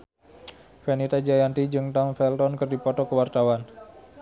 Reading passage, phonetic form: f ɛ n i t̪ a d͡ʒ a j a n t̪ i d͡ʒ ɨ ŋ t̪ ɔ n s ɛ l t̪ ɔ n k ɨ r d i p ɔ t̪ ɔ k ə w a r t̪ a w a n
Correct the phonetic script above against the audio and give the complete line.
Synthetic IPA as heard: f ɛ n i t̪ a d͡ʒ a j a n t̪ i d͡ʒ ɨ ŋ t̪ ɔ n f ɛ l t̪ ɔ n k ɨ r d i p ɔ t̪ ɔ k ə w a r t̪ a w a n